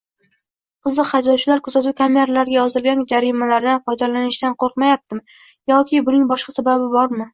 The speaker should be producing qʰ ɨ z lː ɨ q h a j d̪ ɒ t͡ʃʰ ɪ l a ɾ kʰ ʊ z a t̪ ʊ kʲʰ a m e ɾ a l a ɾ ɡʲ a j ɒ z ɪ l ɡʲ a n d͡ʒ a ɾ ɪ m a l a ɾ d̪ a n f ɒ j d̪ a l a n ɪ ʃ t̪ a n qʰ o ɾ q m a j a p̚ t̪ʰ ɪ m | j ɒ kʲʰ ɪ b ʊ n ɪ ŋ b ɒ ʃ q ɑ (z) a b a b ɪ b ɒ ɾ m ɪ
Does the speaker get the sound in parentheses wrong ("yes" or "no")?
yes